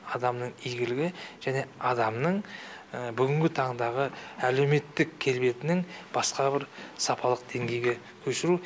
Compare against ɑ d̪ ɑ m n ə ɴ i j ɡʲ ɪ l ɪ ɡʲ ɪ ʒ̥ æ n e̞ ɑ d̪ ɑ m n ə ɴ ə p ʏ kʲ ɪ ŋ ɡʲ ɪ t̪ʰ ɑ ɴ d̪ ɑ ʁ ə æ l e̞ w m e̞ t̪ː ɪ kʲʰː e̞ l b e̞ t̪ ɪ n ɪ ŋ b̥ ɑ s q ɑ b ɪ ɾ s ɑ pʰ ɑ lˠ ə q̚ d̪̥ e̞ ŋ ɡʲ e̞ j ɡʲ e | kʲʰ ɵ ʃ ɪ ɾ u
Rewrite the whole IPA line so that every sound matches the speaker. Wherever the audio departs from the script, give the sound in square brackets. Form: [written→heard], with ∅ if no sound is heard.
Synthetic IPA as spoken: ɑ d̪ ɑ m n ə ɴ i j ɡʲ ɪ l ɪ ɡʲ ɪ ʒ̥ æ n e̞ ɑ d̪ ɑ m n ə ɴ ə [p→b] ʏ [kʲ→ɡʲ] ɪ ŋ ɡʲ ɪ t̪ʰ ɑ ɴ d̪ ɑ ʁ ə æ l e̞ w m e̞ t̪ː ɪ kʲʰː e̞ l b e̞ t̪ ɪ n ɪ ŋ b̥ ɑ s q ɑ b ɪ ɾ s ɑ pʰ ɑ lˠ ə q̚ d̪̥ e̞ ŋ ɡʲ e̞ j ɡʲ e | kʲʰ ɵ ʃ ɪ ɾ u